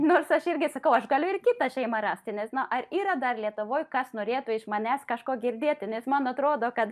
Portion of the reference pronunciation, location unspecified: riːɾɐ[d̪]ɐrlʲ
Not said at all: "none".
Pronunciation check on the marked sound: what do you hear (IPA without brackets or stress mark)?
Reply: d̪